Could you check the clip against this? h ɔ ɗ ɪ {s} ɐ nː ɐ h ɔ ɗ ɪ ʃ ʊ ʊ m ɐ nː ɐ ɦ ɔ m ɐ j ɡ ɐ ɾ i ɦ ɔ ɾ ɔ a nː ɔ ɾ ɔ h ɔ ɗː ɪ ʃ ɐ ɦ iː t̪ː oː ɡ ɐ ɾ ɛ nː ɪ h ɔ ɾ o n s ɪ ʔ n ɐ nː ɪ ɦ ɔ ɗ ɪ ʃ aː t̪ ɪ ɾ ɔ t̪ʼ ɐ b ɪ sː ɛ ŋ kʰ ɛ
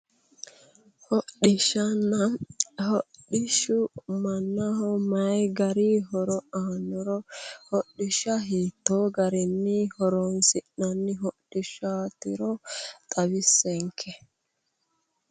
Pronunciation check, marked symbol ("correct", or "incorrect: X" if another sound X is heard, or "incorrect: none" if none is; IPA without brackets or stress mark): incorrect: ʃ